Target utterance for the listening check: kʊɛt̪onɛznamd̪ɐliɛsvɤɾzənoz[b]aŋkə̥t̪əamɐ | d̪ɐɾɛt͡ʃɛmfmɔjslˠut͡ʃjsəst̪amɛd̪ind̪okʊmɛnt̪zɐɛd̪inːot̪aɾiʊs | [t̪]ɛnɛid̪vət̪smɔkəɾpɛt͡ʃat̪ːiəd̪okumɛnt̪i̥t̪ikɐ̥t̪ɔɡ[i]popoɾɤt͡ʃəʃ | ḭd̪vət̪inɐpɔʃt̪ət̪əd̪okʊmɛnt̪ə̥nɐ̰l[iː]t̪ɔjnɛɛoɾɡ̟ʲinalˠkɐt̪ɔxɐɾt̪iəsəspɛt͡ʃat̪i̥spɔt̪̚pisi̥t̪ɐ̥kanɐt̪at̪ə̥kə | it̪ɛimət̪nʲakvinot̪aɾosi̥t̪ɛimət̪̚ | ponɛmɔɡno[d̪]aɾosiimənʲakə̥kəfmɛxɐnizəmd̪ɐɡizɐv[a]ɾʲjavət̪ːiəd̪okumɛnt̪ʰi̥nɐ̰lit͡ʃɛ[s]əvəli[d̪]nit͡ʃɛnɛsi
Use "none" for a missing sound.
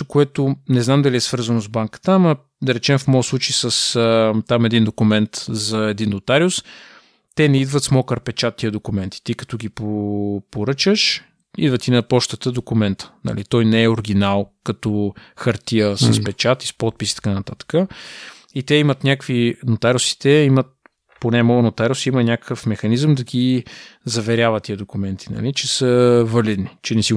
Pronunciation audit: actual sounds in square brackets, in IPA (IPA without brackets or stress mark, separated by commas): b, t̪, i, i, t̪, ɛ, s, d̪